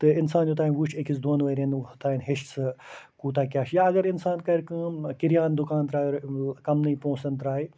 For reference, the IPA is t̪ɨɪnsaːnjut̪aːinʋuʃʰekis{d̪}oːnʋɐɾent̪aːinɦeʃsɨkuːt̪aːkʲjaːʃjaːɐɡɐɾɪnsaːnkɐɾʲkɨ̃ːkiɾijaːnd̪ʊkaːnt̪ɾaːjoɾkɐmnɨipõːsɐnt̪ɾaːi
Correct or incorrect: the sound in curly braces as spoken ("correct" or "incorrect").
correct